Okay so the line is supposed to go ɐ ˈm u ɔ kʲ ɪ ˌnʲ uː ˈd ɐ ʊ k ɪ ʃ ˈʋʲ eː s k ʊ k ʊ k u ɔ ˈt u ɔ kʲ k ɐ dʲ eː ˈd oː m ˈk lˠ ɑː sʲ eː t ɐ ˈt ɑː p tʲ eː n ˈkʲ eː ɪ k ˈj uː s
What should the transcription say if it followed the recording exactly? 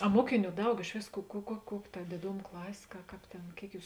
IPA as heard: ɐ ˈm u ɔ kʲ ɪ ˌnʲ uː ˈd ɐ ʊ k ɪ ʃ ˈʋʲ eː s k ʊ k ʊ k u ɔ ˈk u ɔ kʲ t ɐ dʲ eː ˈd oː m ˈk lˠ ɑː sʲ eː k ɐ ˈk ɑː p tʲ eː n ˈkʲ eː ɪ k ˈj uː s